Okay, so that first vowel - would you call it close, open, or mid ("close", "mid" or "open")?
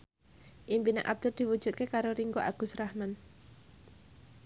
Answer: close